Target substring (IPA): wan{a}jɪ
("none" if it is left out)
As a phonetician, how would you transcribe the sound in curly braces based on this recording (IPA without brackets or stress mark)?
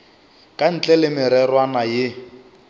a